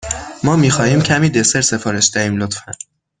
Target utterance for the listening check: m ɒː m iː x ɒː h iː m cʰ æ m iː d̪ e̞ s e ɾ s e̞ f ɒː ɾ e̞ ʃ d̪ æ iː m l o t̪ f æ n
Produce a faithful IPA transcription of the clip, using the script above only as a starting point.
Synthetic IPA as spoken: m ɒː m iː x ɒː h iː m cʰ æ m iː d̪ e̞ s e ɾ s e̞ f ɒː ɾ e̞ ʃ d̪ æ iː m l o t̪ f æ n